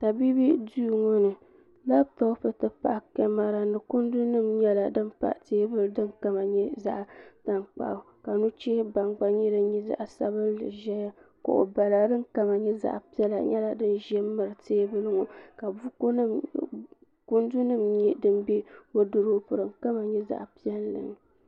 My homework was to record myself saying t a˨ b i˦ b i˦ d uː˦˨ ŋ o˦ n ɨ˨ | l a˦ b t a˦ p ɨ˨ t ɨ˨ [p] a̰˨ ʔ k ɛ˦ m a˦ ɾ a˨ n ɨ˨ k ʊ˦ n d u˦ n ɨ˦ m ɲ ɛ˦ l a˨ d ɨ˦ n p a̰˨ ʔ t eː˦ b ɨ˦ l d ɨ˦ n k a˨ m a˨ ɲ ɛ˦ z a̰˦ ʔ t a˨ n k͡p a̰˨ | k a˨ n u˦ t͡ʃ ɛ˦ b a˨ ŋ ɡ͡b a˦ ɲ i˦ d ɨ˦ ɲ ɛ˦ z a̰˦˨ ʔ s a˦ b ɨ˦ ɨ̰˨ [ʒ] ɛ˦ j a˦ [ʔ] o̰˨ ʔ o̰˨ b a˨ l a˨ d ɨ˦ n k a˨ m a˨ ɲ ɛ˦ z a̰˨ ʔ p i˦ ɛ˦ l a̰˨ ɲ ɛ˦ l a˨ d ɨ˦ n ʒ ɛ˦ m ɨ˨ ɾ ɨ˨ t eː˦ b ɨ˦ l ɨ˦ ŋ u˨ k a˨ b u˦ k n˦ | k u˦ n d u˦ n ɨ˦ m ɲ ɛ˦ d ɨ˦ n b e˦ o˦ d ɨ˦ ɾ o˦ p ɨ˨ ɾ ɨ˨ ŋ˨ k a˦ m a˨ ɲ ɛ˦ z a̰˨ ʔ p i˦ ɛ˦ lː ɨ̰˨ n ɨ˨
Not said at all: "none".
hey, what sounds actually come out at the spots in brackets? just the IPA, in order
p, ʒ, k

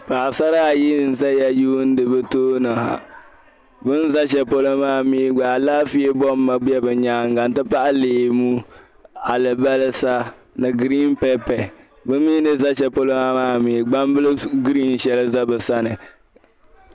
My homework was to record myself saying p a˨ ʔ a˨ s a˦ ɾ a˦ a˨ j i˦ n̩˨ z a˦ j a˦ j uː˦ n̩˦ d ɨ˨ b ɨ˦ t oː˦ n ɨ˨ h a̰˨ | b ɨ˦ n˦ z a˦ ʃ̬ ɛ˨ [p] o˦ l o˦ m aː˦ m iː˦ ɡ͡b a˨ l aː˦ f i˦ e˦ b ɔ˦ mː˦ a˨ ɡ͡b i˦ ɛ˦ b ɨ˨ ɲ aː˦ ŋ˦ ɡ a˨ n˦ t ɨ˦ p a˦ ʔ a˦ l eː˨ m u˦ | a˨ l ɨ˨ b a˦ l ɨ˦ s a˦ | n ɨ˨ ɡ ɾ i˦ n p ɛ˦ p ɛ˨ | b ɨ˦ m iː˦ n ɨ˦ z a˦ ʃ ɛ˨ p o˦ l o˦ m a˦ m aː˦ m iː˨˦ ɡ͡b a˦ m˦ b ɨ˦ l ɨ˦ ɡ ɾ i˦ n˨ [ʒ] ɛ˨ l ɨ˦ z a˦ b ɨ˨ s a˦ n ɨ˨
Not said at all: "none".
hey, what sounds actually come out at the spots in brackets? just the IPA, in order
p, ʃ

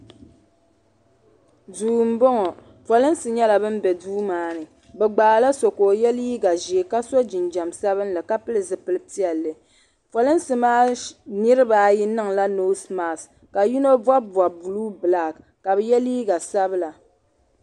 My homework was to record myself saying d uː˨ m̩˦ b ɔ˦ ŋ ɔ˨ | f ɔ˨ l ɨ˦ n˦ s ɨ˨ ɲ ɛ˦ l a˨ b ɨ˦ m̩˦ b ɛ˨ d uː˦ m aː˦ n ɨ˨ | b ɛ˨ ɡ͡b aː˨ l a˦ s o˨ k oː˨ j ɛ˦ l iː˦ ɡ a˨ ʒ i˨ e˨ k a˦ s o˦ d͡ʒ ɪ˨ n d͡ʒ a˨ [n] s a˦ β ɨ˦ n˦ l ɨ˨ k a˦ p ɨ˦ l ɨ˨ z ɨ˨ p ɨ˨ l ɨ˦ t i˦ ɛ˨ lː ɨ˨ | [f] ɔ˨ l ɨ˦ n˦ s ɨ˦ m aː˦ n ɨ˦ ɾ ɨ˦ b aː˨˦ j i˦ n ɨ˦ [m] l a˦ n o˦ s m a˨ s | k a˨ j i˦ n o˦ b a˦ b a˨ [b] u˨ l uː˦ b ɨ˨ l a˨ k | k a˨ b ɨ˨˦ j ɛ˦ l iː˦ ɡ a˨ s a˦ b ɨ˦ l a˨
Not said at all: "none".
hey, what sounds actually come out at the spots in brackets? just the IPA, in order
m, f, ŋ, b

